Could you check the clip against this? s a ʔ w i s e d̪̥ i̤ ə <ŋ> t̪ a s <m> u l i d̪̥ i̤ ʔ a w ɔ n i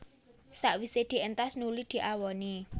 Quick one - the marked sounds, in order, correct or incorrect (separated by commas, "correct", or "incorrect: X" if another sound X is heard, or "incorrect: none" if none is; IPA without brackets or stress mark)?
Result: incorrect: n, incorrect: n